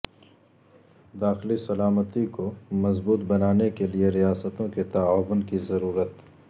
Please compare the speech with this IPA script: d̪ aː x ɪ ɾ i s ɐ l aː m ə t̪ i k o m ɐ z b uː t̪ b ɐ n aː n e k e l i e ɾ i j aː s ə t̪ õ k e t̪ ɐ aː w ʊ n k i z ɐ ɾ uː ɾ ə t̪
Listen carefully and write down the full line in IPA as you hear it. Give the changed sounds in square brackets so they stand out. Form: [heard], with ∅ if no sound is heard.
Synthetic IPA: d̪ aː x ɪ [l] i s ɐ l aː m ə t̪ i k o m ɐ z b uː t̪ b ɐ n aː n e k e l i e ɾ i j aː s ə t̪ õ k e t̪ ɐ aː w ʊ n k i z ɐ ɾ uː ɾ ə t̪